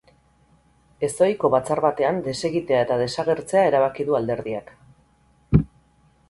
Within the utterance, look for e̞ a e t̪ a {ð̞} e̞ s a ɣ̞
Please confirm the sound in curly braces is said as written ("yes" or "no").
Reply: yes